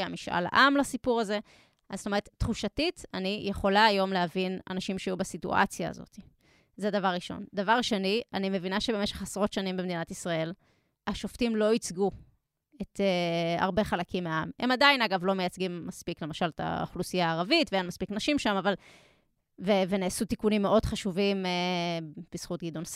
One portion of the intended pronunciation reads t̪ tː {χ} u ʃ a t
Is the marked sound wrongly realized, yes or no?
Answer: no